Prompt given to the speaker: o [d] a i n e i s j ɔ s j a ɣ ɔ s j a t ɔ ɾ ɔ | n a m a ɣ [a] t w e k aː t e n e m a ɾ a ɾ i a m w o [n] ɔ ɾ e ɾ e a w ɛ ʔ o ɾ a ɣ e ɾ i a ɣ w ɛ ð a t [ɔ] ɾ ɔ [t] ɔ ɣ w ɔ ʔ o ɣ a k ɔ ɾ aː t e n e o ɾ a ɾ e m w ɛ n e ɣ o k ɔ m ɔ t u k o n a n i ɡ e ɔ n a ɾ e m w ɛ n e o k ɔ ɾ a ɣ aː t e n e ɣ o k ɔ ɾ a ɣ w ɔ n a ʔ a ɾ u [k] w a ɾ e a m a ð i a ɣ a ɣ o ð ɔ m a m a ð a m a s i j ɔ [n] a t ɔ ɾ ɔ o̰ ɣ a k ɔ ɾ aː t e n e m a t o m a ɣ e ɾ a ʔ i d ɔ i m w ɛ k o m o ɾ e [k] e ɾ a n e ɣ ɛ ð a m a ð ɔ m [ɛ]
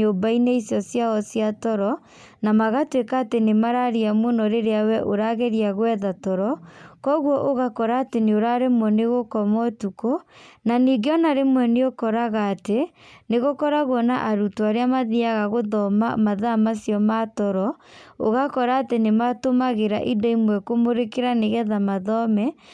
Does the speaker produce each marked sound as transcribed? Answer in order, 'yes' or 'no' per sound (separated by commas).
no, yes, yes, yes, no, no, no, yes, yes